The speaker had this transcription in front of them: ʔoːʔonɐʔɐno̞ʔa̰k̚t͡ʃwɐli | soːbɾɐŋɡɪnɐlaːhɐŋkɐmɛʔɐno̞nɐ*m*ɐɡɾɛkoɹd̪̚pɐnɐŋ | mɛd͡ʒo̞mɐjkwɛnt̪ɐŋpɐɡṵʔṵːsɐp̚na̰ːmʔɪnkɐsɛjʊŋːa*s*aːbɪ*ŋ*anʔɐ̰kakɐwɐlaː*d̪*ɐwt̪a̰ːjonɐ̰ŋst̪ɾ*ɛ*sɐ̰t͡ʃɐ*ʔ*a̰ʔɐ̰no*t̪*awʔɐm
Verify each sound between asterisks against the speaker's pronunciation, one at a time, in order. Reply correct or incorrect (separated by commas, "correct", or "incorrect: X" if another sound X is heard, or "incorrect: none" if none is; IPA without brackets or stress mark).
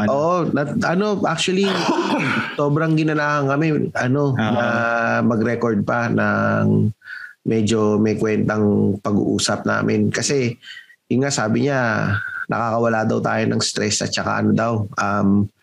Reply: correct, correct, incorrect: ɲ, correct, correct, incorrect: k, incorrect: d̪